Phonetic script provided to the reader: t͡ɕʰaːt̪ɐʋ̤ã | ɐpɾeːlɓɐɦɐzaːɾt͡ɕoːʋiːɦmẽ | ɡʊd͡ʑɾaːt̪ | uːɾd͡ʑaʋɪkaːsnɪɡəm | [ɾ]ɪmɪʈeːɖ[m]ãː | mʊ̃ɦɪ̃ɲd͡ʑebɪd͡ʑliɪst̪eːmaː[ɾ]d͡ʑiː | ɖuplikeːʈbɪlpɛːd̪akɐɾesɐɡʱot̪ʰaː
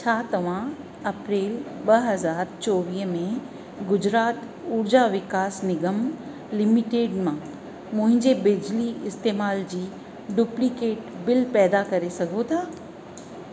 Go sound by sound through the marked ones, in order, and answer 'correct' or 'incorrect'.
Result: incorrect: l, correct, incorrect: l

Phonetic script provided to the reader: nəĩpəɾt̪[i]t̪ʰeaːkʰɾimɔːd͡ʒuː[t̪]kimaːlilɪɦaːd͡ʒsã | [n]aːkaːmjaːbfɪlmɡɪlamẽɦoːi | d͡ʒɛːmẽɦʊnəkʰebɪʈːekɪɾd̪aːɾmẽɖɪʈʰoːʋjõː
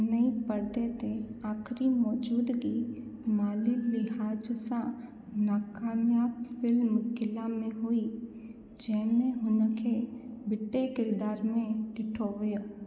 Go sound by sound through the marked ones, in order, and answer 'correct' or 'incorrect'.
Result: incorrect: e, incorrect: d̪, correct

